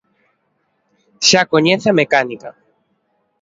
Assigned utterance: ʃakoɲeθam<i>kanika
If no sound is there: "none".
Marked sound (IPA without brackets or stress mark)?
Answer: e